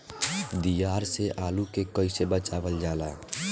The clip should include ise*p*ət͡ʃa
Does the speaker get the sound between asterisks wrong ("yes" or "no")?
yes